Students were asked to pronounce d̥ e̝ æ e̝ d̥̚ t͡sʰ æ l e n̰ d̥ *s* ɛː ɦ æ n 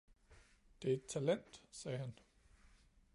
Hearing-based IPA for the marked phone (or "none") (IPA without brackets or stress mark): s